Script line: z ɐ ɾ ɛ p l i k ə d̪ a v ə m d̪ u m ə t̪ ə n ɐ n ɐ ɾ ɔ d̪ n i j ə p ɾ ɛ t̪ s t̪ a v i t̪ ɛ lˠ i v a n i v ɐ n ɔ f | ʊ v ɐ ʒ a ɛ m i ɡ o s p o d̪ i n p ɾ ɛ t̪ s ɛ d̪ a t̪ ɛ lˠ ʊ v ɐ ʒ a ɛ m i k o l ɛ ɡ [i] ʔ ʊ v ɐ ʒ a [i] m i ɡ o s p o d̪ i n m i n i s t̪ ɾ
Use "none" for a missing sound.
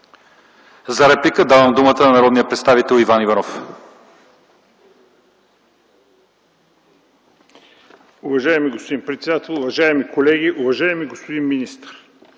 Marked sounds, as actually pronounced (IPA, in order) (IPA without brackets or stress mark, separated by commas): i, ɛ